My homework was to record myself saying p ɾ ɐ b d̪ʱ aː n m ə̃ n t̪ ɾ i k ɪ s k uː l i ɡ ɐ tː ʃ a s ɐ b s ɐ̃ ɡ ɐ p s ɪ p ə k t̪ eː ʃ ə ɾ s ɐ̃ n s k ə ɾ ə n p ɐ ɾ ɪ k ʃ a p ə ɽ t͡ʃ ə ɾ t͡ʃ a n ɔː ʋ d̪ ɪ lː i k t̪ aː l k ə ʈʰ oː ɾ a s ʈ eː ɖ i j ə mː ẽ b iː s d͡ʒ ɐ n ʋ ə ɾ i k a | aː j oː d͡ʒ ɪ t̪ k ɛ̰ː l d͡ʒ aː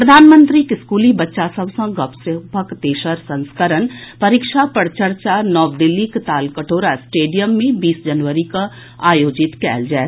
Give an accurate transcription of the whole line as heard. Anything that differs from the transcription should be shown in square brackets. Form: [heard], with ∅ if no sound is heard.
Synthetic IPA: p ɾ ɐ [∅] d̪ʱ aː n m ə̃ n t̪ ɾ i k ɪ s k uː l i [b] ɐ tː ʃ a s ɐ b s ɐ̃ ɡ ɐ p s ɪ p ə k t̪ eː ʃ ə ɾ s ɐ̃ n s k ə ɾ ə n p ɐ ɾ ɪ k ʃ a p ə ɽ t͡ʃ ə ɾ t͡ʃ a n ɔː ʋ d̪ ɪ lː i k t̪ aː l k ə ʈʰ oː ɾ a s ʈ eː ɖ i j ə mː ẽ b iː s d͡ʒ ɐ n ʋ ə ɾ i k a | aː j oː d͡ʒ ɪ t̪ k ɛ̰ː l d͡ʒ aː